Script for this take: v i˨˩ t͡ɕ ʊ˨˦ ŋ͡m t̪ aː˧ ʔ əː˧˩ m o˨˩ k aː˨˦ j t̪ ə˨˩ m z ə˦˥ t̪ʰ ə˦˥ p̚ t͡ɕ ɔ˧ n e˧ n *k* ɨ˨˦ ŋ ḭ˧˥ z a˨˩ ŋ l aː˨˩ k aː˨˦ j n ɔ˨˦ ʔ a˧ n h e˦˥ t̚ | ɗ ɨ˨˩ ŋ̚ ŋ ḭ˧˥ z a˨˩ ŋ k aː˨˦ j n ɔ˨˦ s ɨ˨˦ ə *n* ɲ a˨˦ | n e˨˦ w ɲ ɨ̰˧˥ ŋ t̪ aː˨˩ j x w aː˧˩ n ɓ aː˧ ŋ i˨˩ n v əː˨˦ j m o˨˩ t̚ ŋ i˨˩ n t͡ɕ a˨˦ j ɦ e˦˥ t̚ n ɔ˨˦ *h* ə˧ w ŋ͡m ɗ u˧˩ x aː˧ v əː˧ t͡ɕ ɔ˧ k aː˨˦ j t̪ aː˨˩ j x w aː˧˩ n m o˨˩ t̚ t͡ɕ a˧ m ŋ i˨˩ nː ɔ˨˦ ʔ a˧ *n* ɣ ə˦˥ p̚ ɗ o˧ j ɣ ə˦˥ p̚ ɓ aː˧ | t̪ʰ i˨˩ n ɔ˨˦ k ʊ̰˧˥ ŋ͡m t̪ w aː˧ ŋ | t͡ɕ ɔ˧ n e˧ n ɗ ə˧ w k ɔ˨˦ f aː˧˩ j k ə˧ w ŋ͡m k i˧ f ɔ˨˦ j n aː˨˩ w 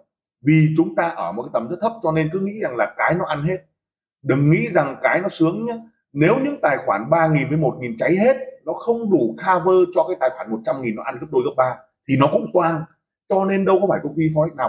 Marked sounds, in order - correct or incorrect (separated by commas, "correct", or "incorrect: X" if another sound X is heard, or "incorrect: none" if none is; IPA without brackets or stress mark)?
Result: correct, incorrect: ŋ, incorrect: x, correct